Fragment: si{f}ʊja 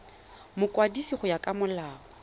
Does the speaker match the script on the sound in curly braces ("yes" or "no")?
no